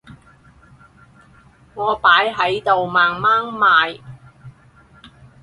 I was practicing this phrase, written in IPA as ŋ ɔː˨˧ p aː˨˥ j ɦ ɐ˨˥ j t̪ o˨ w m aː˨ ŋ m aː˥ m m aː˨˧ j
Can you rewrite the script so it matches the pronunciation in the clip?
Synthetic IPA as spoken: ŋ ɔː˨˧ p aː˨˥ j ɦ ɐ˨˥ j t̪ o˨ w m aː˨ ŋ m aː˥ ŋ m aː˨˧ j